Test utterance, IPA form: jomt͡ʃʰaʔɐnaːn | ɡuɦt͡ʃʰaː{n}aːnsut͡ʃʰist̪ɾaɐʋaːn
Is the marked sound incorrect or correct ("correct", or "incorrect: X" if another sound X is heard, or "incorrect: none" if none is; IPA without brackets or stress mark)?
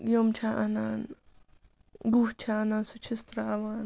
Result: correct